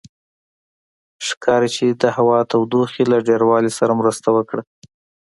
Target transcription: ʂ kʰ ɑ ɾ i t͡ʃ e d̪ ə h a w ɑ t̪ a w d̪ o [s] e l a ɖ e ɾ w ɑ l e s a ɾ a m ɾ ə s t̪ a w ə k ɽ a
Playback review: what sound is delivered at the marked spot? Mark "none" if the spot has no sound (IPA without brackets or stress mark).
x